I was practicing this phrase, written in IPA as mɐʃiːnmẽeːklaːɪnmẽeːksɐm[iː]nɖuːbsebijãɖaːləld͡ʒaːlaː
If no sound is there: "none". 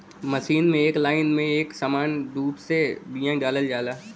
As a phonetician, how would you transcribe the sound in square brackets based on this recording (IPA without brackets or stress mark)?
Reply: aː